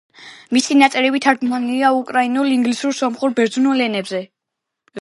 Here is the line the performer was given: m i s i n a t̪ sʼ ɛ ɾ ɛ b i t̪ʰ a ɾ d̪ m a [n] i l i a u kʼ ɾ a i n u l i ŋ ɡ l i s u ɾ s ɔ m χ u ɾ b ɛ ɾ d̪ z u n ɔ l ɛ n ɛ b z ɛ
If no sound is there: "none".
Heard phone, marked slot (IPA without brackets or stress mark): n